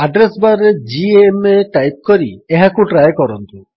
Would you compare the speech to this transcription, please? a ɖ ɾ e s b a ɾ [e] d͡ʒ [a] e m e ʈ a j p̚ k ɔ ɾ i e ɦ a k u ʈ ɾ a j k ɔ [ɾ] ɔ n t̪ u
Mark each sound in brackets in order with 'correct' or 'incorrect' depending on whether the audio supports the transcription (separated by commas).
correct, incorrect, correct